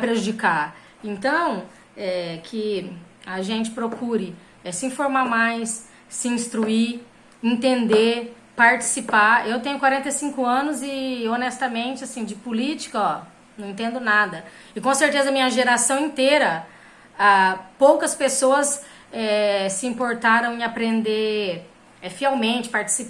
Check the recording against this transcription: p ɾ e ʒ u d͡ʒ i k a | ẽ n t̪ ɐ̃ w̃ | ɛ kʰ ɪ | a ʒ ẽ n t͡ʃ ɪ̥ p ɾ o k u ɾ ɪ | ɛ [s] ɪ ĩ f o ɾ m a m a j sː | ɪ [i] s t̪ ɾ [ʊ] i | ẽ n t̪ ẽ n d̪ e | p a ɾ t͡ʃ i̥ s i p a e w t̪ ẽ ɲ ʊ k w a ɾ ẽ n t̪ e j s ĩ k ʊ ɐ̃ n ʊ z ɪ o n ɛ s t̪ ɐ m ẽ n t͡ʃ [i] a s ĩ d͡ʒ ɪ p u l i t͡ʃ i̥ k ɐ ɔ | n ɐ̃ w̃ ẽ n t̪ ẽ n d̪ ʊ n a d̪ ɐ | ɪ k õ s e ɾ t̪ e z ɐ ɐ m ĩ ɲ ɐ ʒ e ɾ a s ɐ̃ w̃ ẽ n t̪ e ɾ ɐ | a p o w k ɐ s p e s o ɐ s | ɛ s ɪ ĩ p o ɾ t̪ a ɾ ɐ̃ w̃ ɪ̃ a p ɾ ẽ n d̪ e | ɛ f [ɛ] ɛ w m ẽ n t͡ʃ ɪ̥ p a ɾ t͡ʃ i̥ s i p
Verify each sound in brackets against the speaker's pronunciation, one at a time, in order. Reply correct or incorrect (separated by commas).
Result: correct, incorrect, incorrect, incorrect, incorrect